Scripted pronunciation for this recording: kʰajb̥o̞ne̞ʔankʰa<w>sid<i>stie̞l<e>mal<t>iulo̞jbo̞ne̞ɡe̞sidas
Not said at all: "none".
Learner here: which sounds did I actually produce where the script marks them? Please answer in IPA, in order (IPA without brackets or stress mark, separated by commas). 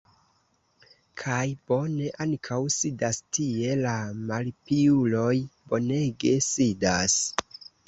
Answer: w, a, a, p